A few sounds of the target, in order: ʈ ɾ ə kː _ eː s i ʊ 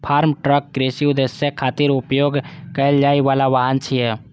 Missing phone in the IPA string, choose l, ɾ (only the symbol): ɾ